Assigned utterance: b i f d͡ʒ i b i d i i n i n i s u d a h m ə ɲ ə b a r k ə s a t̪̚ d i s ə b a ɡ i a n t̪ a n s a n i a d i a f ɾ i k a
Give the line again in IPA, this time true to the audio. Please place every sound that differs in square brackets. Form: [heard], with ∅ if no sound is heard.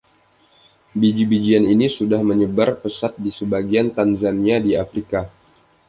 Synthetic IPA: b i [∅] d͡ʒ i b i [d͡ʒ] i [a] n i n i s u d a h m ə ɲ ə b a r [p] ə s a t̪̚ d i s ə b a ɡ i a n t̪ a n [z] a n i a d i a f ɾ i k a